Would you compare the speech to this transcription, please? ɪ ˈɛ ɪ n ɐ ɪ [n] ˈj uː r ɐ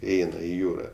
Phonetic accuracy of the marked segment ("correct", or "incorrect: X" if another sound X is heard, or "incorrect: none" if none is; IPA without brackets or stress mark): incorrect: none